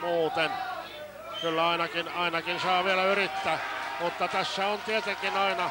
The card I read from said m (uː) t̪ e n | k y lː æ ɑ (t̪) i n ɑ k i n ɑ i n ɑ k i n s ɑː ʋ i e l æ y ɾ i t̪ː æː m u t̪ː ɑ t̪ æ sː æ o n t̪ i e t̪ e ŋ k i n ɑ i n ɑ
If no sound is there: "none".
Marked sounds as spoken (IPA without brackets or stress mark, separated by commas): uː, none